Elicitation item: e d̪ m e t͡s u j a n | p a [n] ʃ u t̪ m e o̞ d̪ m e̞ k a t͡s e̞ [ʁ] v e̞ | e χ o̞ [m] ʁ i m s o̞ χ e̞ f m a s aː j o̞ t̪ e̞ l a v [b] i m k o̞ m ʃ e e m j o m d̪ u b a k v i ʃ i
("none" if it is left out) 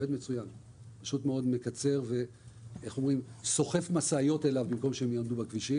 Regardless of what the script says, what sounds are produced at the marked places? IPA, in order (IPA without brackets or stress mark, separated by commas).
none, ʁ, m, b